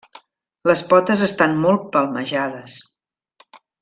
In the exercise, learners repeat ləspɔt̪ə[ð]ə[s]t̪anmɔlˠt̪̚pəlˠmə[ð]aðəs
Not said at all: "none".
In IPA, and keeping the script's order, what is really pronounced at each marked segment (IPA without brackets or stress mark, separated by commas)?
z, s, ʒ